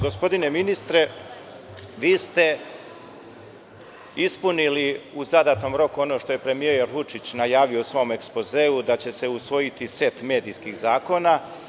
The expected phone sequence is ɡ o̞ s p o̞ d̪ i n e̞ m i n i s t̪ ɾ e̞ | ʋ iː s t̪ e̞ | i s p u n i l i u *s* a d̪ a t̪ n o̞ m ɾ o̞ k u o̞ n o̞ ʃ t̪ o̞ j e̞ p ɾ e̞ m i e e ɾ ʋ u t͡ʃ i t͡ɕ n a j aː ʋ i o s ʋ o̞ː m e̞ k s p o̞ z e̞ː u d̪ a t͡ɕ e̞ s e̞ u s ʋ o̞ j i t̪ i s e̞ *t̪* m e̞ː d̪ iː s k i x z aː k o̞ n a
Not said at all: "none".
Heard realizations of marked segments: z, t̪

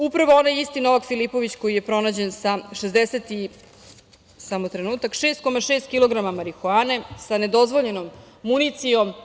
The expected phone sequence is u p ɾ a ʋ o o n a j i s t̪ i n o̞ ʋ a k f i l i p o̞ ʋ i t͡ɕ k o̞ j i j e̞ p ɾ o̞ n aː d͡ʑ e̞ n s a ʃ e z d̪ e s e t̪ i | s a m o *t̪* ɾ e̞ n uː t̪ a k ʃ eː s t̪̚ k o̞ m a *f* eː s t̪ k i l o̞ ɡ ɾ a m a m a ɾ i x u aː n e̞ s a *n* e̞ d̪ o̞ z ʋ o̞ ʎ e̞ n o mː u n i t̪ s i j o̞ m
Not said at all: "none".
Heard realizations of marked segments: t̪, ʃ, n

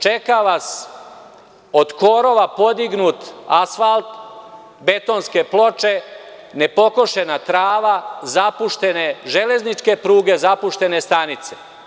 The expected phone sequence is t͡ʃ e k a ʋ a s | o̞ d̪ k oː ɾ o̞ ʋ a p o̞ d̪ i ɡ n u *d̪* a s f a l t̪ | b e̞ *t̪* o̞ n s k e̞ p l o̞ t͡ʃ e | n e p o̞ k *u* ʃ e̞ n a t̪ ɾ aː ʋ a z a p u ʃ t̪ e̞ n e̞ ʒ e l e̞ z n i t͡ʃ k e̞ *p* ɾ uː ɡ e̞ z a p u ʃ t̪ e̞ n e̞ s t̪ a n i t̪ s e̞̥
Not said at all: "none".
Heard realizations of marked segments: t̪, t̪, o, p

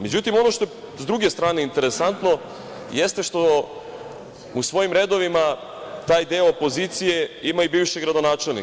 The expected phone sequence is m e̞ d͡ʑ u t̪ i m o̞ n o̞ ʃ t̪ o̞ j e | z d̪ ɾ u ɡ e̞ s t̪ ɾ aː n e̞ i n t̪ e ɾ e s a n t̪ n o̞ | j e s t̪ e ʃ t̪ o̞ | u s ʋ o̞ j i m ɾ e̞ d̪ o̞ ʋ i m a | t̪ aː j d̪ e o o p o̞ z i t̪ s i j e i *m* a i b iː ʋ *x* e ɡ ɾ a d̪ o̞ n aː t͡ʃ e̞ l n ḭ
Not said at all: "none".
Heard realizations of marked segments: m, ʃ

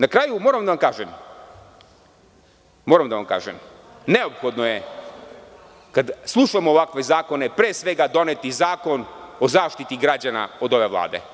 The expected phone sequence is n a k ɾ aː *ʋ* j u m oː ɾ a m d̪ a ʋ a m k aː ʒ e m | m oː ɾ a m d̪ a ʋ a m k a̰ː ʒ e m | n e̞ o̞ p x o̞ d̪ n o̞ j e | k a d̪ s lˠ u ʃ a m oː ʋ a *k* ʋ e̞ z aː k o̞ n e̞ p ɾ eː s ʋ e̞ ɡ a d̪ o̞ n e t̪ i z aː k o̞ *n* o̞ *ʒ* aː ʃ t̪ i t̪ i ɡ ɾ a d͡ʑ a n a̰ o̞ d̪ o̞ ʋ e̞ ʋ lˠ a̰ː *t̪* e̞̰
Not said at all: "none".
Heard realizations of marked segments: none, k, n, z, d̪

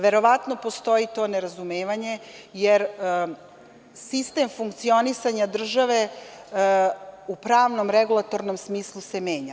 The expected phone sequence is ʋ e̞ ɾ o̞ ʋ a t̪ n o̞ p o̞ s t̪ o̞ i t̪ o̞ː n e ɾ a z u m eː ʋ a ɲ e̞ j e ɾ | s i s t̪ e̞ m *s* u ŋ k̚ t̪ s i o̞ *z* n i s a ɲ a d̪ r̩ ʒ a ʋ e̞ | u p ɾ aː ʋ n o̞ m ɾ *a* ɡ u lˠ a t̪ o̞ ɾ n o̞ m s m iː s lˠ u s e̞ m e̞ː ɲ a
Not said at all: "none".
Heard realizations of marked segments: f, none, e

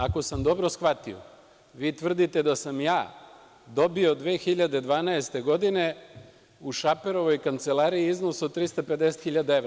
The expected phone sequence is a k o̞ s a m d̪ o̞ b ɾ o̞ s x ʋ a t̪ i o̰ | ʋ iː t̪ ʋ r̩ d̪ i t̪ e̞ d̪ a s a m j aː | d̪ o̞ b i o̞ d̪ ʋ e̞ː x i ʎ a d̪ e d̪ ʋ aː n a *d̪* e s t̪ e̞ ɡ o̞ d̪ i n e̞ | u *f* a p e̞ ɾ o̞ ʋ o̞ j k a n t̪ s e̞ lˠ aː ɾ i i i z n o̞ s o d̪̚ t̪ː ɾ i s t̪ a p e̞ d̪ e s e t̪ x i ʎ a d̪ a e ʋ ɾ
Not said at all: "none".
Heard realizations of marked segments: none, ʃ

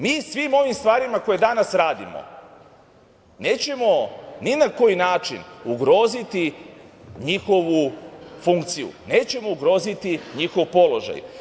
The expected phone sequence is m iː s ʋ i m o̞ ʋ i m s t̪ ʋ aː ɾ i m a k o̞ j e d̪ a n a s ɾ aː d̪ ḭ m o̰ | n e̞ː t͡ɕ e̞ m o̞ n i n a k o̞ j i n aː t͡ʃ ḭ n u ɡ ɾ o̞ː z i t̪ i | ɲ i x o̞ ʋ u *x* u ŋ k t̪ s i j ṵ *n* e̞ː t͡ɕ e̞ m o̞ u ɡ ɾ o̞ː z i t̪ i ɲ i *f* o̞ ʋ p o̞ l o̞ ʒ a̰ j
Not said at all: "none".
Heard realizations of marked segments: f, n, x

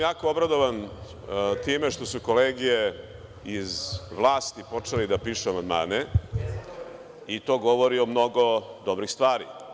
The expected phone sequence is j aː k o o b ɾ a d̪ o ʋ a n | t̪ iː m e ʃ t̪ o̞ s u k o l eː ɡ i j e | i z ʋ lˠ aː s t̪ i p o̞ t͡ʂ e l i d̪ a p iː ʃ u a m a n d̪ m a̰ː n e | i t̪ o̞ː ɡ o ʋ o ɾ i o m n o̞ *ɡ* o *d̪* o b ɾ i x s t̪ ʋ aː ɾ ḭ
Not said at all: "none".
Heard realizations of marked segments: ɡ, d̪

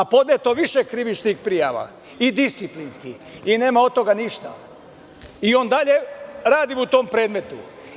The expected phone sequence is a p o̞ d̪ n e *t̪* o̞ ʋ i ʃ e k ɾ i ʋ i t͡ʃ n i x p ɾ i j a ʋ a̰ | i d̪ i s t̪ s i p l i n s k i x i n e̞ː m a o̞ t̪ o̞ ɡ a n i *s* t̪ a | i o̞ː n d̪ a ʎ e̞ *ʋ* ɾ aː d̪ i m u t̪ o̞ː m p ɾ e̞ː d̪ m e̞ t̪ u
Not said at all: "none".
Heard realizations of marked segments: t̪, ʃ, none

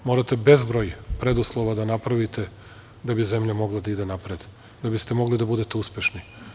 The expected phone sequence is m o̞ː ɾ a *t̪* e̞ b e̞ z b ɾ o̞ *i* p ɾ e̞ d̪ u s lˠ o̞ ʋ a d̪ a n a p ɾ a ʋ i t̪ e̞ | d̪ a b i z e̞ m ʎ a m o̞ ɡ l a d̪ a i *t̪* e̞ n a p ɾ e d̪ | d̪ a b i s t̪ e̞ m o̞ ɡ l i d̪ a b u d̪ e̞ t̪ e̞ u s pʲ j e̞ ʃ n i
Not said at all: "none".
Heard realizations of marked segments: t̪, j, d̪

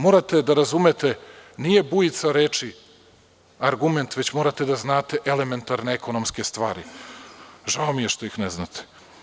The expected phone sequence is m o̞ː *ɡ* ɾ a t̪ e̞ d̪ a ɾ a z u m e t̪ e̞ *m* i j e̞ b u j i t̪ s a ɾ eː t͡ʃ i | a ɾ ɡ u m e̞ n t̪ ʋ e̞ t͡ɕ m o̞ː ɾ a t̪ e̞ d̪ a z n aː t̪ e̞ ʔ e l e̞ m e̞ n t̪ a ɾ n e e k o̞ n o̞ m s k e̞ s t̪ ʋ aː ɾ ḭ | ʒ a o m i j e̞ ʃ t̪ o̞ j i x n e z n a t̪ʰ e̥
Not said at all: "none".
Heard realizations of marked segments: none, n

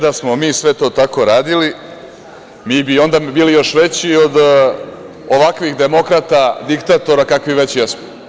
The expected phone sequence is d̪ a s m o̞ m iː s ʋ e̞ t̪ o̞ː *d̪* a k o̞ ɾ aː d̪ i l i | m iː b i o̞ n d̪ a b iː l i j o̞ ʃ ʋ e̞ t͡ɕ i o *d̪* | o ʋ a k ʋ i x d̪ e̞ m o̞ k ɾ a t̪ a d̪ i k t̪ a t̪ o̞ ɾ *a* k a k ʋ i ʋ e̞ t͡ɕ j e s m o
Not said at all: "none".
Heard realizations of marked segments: t̪, d̪, a

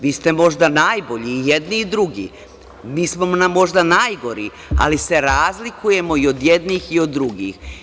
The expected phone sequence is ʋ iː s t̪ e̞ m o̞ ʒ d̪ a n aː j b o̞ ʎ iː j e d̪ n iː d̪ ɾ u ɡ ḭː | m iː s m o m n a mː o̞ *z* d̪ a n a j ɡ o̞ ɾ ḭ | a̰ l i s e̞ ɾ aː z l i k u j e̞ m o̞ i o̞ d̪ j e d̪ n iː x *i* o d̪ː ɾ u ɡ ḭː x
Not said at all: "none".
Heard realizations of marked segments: ʒ, i

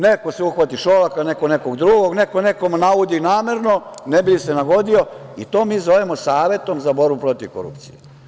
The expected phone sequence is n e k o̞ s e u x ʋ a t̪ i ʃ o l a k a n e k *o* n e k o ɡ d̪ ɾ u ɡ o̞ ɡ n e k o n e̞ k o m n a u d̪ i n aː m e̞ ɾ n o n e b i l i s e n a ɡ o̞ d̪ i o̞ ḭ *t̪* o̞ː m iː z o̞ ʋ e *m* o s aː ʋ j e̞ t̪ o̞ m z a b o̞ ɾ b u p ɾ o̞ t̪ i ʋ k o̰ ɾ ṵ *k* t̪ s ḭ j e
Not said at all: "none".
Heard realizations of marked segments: o, t̪, m, p

